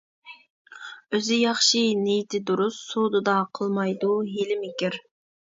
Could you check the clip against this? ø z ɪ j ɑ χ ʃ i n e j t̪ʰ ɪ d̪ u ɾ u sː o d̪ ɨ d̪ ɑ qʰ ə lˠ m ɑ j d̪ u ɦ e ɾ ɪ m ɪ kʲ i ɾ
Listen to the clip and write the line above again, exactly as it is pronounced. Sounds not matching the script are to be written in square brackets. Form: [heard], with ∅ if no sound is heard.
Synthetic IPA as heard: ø z ɪ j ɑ χ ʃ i n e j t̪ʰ ɪ d̪ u ɾ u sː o d̪ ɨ d̪ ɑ qʰ ə lˠ m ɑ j d̪ u ɦ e [l] ɪ m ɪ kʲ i ɾ

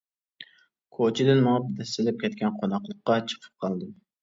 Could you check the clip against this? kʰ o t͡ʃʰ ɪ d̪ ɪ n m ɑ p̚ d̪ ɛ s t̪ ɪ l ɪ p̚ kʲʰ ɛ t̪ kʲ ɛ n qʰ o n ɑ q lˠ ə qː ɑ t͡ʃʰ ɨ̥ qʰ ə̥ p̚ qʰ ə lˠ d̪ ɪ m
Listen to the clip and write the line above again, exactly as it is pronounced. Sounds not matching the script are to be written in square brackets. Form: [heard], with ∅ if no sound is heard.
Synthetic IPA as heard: kʰ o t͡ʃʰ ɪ d̪ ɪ n m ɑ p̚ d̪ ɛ s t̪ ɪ l ɪ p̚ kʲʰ ɛ t̪ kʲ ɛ n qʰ o n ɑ q lˠ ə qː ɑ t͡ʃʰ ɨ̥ qʰ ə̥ p̚ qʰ [ɑ] lˠ d̪ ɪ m

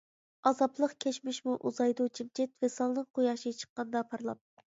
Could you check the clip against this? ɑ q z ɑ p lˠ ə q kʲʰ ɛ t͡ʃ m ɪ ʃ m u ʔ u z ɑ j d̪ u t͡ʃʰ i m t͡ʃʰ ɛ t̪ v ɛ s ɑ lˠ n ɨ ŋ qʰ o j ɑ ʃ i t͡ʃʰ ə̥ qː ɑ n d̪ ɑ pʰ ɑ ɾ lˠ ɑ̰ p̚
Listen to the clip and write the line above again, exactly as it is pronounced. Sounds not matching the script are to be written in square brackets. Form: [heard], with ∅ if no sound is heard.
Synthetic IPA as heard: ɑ [∅] z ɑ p lˠ ə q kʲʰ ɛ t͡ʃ m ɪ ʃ m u ʔ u z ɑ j d̪ u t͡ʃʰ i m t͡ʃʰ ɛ t̪ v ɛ s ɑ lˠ n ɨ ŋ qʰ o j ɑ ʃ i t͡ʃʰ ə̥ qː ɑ n d̪ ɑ pʰ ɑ ɾ lˠ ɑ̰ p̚

